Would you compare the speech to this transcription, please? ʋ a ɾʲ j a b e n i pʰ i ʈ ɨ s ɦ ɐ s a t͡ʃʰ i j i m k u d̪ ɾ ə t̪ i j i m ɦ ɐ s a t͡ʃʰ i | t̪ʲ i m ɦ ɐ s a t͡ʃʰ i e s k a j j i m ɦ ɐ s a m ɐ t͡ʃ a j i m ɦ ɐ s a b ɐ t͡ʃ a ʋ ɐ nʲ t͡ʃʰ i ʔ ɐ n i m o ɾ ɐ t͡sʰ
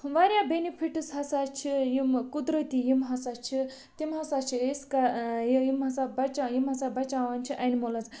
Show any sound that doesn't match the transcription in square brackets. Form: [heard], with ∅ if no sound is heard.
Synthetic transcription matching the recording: ʋ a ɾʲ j a b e n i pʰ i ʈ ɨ s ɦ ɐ s a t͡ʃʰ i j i m k u d̪ ɾ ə t̪ i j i m ɦ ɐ s a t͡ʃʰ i | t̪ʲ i m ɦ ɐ s a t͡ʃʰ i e s k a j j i m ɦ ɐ s a [b] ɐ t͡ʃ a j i m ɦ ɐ s a b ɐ t͡ʃ a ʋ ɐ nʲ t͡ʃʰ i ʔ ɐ n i m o [l] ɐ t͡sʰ